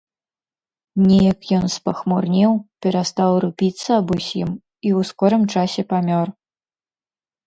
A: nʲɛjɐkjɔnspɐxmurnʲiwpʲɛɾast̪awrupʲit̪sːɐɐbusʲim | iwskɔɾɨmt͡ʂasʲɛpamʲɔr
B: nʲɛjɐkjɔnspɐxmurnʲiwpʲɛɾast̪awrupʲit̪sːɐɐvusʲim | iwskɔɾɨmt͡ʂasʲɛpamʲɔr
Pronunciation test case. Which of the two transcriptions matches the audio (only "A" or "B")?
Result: A